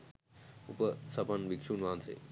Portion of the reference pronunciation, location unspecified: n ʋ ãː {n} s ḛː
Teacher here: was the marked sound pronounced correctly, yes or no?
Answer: yes